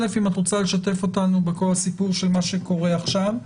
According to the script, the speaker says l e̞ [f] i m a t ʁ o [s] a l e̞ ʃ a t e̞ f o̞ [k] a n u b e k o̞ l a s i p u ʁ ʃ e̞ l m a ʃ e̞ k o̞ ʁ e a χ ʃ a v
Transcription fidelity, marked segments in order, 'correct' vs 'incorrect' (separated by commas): correct, incorrect, incorrect